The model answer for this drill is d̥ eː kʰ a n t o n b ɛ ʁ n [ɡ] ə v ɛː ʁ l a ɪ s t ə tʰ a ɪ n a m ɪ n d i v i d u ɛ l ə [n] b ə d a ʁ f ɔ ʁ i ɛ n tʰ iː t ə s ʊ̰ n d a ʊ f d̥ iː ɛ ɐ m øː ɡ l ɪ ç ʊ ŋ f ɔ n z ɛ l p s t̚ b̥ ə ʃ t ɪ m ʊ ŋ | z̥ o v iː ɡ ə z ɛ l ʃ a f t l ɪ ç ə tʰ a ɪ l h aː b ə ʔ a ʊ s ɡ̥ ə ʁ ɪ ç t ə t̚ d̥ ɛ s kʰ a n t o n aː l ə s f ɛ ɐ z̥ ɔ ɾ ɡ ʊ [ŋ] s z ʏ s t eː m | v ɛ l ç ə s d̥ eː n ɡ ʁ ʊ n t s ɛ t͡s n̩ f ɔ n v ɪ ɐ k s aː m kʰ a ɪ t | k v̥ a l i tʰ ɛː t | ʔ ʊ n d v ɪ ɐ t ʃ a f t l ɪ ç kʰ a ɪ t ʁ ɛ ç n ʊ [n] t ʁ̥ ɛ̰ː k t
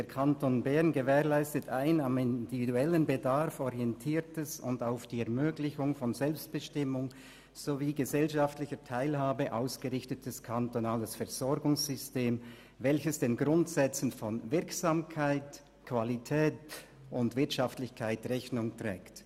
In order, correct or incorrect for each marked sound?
correct, correct, correct, incorrect

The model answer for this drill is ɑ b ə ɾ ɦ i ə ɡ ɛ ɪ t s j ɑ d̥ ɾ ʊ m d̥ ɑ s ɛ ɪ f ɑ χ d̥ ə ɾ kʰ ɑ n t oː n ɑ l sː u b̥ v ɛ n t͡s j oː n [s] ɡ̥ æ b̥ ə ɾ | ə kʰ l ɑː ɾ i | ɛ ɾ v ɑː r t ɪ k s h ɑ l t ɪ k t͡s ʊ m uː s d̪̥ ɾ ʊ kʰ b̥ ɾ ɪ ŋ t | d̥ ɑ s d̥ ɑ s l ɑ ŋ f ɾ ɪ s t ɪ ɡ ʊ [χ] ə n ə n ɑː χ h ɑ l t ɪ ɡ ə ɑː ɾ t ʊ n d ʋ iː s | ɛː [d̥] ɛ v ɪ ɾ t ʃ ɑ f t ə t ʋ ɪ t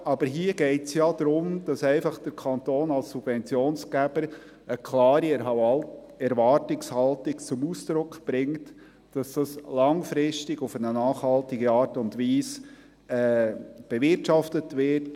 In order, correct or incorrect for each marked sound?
correct, incorrect, incorrect

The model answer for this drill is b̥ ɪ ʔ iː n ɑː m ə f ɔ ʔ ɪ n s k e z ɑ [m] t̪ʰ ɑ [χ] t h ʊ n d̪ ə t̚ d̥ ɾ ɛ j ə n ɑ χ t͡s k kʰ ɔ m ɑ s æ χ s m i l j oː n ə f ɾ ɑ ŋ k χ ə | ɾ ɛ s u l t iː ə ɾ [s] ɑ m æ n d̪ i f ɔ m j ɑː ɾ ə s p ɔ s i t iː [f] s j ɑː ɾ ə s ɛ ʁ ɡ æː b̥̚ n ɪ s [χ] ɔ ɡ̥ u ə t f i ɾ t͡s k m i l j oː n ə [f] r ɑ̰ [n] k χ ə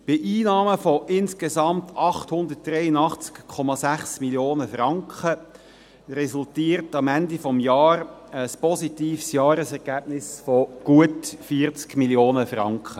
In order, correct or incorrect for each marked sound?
correct, correct, incorrect, correct, incorrect, correct, incorrect

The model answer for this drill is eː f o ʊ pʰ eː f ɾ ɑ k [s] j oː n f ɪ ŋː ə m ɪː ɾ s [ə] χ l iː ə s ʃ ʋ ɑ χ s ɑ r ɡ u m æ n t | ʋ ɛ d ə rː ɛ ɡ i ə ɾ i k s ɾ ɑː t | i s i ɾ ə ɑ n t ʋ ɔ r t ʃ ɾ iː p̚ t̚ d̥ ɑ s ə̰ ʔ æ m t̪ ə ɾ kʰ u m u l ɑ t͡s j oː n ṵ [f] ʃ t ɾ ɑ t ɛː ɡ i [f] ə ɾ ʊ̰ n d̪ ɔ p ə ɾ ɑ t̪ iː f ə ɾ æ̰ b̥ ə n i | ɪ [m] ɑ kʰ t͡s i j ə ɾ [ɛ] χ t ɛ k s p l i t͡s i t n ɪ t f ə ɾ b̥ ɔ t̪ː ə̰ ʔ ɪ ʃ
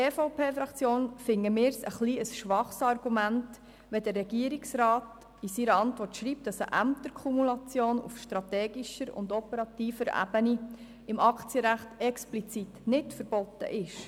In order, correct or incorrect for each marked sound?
incorrect, correct, correct, incorrect, correct, incorrect

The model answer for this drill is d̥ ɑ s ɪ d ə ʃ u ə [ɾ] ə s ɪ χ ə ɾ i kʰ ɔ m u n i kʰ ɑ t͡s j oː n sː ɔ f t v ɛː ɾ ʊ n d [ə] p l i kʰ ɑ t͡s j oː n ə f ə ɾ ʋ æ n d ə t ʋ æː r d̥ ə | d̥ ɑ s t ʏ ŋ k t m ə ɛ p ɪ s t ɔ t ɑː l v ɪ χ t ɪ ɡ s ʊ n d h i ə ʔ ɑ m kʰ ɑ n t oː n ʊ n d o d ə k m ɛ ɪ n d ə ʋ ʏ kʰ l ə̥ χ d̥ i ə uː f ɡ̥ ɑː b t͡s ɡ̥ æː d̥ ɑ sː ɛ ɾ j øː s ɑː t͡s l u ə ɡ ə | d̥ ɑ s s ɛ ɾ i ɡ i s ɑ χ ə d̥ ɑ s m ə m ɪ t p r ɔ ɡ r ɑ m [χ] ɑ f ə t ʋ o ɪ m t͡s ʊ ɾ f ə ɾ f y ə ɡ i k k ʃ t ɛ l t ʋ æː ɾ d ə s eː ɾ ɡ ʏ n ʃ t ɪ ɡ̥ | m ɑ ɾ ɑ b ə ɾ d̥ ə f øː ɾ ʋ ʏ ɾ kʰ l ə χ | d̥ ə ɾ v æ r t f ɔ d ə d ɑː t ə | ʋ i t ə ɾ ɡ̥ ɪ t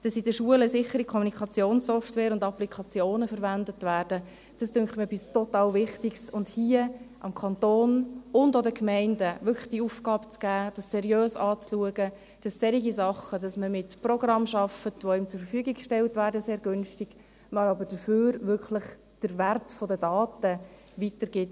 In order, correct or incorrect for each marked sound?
incorrect, incorrect, incorrect

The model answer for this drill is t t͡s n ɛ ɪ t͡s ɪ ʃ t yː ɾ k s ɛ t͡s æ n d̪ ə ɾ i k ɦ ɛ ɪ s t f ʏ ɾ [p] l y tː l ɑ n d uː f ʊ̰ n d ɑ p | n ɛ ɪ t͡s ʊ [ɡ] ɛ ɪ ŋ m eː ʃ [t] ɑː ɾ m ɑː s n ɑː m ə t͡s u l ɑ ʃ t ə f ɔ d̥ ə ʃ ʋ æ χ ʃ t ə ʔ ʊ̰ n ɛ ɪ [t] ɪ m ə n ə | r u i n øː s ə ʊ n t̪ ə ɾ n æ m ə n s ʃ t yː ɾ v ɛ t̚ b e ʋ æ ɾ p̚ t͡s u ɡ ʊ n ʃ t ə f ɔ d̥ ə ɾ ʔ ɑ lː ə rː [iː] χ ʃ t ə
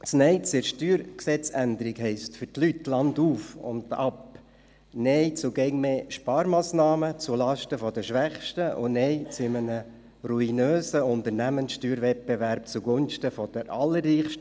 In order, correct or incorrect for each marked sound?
incorrect, correct, incorrect, incorrect, correct

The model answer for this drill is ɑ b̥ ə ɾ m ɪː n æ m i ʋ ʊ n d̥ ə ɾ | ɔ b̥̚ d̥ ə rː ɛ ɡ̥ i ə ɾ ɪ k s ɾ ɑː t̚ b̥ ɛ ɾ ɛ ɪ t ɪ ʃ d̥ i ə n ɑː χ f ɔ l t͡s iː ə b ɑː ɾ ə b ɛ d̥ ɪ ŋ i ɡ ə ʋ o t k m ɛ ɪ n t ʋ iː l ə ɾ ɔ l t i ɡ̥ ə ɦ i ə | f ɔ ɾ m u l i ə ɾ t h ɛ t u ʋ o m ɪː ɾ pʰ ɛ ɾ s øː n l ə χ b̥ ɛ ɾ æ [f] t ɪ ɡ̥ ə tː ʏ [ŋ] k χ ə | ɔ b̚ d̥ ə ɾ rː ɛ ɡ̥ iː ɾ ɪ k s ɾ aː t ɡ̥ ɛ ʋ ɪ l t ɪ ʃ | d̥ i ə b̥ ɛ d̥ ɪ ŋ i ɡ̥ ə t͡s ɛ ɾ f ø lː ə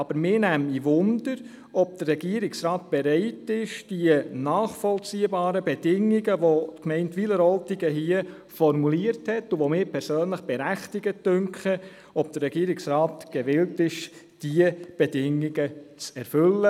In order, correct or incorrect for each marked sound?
incorrect, correct

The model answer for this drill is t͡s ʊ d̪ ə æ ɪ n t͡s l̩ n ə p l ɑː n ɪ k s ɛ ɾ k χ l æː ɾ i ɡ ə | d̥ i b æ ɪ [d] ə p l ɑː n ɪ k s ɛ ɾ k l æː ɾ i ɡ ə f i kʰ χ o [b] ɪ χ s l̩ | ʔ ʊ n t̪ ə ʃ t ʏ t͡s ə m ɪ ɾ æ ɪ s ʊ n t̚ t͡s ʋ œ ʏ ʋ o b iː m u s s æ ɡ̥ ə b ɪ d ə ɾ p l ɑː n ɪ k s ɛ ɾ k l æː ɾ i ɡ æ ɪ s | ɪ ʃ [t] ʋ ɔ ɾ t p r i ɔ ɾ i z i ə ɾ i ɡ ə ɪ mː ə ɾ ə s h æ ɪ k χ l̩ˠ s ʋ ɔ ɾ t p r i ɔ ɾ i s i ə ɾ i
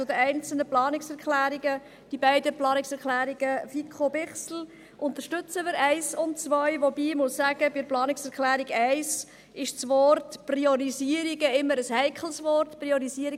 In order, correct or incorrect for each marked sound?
correct, correct, incorrect

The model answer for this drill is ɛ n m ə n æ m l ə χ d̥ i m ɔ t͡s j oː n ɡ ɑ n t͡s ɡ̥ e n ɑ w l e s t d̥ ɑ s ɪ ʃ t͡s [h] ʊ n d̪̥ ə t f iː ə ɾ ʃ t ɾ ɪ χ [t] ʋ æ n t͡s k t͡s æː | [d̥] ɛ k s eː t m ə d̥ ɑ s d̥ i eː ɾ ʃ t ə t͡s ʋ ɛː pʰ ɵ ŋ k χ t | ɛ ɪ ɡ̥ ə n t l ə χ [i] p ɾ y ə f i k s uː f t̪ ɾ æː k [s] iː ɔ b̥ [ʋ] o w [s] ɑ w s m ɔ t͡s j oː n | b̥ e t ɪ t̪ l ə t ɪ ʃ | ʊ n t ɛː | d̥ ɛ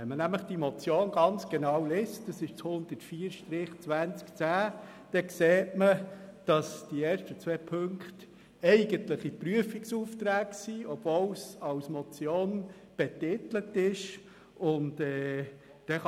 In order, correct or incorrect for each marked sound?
correct, incorrect, correct, correct, correct, incorrect, correct

